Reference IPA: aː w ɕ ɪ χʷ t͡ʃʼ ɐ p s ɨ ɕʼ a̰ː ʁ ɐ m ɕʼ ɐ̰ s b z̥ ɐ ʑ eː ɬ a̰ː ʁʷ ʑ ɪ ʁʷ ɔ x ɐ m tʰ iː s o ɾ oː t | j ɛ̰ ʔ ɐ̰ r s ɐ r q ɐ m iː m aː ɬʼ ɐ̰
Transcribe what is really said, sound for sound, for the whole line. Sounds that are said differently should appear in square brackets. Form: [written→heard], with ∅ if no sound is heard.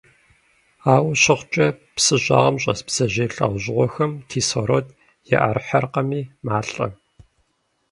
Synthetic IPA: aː w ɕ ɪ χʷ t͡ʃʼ ɐ p s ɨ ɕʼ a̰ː ʁ ɐ m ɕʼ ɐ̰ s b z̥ ɐ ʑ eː ɬ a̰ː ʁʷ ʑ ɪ ʁʷ ɔ x ɐ m tʰ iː s o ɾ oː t | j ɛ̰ ʔ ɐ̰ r [s→ħ] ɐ r q ɐ m iː m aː ɬʼ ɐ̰